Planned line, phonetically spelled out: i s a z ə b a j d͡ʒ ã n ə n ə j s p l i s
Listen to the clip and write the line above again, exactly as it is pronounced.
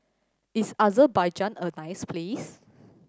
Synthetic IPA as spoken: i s a z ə b a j d͡ʒ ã n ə n a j s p l i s